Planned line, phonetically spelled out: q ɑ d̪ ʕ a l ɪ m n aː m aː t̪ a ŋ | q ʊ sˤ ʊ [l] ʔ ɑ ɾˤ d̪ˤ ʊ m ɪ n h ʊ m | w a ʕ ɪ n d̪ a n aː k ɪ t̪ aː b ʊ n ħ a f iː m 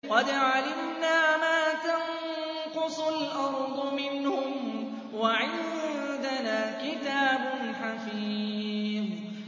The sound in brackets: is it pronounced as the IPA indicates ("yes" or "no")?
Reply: yes